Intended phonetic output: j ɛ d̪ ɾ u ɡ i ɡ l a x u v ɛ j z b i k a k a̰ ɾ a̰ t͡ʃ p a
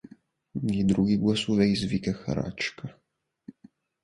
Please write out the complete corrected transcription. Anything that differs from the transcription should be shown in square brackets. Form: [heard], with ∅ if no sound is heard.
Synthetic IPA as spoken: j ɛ d̪ ɾ u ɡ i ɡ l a [s] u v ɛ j z [v] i k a [x] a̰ ɾ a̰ t͡ʃ [k] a

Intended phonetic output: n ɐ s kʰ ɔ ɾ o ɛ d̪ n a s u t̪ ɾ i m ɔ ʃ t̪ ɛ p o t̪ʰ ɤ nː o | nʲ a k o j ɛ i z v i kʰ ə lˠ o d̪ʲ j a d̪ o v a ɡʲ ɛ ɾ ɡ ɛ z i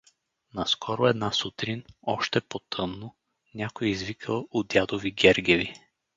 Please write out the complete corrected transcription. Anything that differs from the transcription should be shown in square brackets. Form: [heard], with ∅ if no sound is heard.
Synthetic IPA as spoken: n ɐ s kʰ ɔ ɾ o ɛ d̪ n a s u t̪ ɾ i [n] ɔ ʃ t̪ ɛ p o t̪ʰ ɤ nː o | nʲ a k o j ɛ i z v i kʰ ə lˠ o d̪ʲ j a d̪ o v [i] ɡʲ ɛ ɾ ɡ ɛ [v] i

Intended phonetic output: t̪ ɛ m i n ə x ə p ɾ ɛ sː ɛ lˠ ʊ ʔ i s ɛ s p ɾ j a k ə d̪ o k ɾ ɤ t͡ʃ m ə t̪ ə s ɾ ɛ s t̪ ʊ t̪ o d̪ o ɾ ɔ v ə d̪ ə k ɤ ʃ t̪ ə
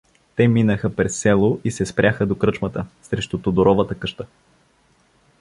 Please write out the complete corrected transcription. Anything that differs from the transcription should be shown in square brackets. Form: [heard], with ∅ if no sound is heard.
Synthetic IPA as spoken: t̪ ɛ m i n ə x ə p ɾ ɛ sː ɛ lˠ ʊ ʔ i s ɛ s p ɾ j a [x] ə d̪ o k ɾ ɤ t͡ʃ m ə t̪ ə s ɾ ɛ [ʃ] t̪ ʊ t̪ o d̪ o ɾ ɔ v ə [t̪] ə k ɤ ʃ t̪ ə

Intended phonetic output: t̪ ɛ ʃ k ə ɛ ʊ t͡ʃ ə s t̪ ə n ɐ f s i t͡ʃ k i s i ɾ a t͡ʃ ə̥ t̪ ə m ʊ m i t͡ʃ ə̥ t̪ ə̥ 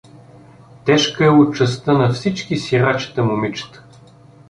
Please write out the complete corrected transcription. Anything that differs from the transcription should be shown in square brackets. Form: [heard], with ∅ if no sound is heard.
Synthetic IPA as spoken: t̪ ɛ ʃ k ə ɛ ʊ t͡ʃ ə s t̪ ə n ɐ f s i t͡ʃ k i s i ɾ a t͡ʃ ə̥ t̪ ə m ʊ m i t͡ʃ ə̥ t̪ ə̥

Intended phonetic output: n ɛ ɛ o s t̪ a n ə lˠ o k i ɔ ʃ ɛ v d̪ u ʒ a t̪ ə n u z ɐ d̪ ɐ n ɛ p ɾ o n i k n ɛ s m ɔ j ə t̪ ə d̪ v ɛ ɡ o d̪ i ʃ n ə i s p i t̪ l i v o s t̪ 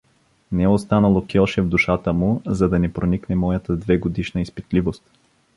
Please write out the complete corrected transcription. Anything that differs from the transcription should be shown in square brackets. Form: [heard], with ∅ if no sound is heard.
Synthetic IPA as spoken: n ɛ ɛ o s t̪ a n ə lˠ o k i ɔ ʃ ɛ v d̪ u [ʃ] a t̪ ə [m] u z ɐ d̪ ɐ n ɛ p ɾ o n i k n ɛ [∅] m ɔ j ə t̪ ə d̪ v ɛ ɡ o d̪ i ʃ n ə i s p i t̪ l i v o s t̪

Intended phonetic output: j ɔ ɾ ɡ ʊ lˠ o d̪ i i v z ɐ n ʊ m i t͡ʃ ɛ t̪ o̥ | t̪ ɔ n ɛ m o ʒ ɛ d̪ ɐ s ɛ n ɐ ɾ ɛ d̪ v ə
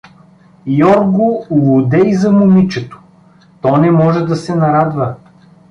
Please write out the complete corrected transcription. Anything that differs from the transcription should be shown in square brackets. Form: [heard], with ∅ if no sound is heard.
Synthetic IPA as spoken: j ɔ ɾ ɡ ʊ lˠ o d̪ [ɛ] i [∅] z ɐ [m] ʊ m i t͡ʃ ɛ t̪ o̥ | t̪ ɔ n ɛ m [ɔ] ʒ ɛ d̪ ɐ s ɛ n ɐ ɾ [a] d̪ v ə

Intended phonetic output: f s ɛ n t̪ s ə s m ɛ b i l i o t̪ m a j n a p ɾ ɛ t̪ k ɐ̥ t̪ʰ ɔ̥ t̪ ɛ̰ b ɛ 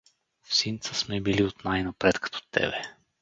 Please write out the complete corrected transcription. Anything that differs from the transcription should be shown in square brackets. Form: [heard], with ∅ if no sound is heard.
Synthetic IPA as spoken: f s [i] n t̪ s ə s m ɛ b i l i o t̪ [n] a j n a p ɾ ɛ t̪ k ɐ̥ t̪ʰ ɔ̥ t̪ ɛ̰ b ɛ

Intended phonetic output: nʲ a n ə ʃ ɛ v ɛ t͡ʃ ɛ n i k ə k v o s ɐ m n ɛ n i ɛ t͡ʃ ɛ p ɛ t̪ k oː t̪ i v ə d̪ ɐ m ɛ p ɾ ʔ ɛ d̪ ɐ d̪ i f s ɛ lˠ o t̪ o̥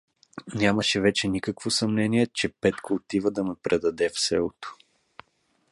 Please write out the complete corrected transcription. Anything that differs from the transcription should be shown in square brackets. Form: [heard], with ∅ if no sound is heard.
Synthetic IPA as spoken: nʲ a [m] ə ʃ ɛ v ɛ t͡ʃ ɛ n i k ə k v o s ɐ m n ɛ n i ɛ t͡ʃ ɛ p ɛ t̪ k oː t̪ i v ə d̪ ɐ m ɛ p ɾ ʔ ɛ d̪ ɐ d̪ [ɛ] f s ɛ lˠ o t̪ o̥

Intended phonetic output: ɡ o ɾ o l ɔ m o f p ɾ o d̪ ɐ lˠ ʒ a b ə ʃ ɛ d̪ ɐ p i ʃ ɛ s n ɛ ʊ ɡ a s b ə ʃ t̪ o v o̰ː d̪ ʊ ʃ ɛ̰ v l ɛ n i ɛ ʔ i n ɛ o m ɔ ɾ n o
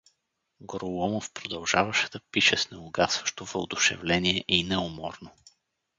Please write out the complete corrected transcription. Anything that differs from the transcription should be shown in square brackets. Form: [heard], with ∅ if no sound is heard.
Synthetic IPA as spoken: ɡ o ɾ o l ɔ m o f p ɾ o d̪ ɐ lˠ ʒ a [v] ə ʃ ɛ d̪ ɐ p i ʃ ɛ s n ɛ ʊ ɡ a s [v] ə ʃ t̪ o v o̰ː d̪ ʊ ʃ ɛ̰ v l ɛ n i ɛ ʔ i n ɛ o m ɔ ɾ n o

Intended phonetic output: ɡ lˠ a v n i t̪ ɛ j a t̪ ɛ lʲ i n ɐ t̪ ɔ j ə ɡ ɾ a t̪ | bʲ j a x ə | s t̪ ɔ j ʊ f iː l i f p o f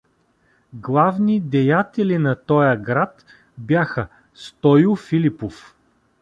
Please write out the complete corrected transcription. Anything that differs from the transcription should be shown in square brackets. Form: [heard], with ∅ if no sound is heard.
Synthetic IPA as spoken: ɡ lˠ a v n i [d̪] ɛ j a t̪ ɛ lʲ i n ɐ t̪ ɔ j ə ɡ ɾ a t̪ | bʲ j a x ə | s t̪ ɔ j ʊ f [i] l i [∅] p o f

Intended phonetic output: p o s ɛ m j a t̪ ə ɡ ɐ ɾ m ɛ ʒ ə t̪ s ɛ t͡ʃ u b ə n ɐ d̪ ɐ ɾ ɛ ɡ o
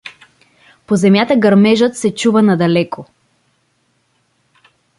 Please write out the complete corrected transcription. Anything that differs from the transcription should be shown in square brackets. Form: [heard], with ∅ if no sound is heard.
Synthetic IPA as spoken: p o [z] ɛ m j a t̪ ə ɡ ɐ ɾ m ɛ ʒ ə t̪ s ɛ t͡ʃ u [v] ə n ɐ d̪ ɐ [l] ɛ [k] o

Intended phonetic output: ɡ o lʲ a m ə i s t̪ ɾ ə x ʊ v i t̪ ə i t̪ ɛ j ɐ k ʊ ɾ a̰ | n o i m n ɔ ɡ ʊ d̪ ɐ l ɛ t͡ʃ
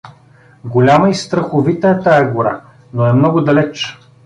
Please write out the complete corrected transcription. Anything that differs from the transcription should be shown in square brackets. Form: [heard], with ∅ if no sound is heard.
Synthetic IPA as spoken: ɡ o lʲ a m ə i s t̪ ɾ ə x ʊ v i t̪ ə [ɛ] t̪ [a] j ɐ [ɡ] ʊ ɾ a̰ | n o [ɛ] m n ɔ ɡ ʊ d̪ ɐ l ɛ t͡ʃ

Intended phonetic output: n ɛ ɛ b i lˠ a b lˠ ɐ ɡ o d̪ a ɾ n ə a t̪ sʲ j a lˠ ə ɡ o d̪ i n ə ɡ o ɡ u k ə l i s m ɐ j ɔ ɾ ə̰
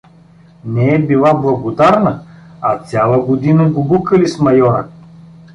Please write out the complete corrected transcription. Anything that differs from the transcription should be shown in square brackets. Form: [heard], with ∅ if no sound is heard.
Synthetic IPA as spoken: n ɛ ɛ b i lˠ a b lˠ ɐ ɡ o d̪ a ɾ n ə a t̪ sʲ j a lˠ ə ɡ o d̪ i n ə ɡ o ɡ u k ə l i s m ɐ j ɔ ɾ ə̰

